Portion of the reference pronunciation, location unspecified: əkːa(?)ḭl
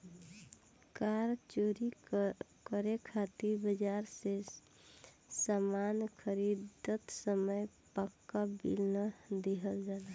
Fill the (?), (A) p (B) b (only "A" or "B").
B